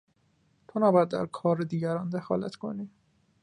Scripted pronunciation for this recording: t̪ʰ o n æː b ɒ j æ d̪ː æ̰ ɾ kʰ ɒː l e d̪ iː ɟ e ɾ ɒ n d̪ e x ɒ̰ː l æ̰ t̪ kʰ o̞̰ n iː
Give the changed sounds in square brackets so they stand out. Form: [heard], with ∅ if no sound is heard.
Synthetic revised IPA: t̪ʰ o n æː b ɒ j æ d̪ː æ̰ ɾ kʰ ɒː [ɾ] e d̪ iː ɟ [æ] ɾ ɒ n d̪ e x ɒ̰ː l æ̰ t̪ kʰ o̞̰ n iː